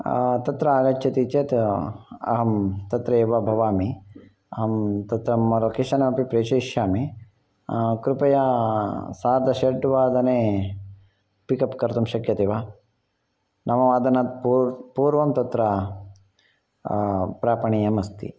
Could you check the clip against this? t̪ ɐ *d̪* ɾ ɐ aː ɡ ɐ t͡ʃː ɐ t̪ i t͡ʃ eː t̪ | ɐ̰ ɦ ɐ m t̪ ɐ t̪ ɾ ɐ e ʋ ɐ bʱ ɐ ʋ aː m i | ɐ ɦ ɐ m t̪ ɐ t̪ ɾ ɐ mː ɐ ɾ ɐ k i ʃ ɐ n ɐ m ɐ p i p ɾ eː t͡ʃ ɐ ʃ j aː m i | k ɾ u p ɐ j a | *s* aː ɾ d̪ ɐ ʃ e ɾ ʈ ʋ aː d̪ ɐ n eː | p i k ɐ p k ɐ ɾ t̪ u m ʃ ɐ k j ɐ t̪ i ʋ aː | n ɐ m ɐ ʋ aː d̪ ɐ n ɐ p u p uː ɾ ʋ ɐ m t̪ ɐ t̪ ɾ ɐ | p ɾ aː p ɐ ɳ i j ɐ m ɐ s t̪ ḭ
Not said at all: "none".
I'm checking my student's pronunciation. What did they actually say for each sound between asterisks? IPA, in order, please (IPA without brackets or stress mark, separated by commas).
t̪, s